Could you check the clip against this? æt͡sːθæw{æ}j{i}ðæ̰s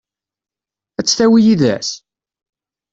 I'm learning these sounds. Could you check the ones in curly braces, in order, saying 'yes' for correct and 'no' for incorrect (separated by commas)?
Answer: no, yes